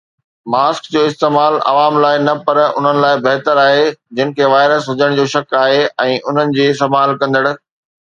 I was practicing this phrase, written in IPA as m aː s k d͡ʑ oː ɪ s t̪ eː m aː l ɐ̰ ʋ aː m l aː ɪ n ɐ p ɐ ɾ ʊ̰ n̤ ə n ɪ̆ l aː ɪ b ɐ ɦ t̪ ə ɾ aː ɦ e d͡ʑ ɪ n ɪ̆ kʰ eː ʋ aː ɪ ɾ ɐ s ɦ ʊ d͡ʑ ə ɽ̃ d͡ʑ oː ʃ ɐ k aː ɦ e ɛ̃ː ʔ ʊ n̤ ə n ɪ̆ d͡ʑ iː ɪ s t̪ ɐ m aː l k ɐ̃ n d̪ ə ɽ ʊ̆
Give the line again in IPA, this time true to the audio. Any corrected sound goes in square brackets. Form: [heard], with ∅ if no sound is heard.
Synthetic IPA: m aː s k d͡ʑ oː ɪ s t̪ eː m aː l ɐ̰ ʋ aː m l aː ɪ n ɐ p ɐ ɾ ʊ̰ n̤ ə n ɪ̆ l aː ɪ b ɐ ɦ t̪ ə ɾ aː ɦ e d͡ʑ ɪ n ɪ̆ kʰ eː ʋ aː ɪ ɾ [ə] s ɦ ʊ d͡ʑ ə ɽ̃ d͡ʑ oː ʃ ɐ k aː ɦ e ɛ̃ː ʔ ʊ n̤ ə n ɪ̆ d͡ʑ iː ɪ s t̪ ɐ m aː l k ɐ̃ n d̪ ə ɽ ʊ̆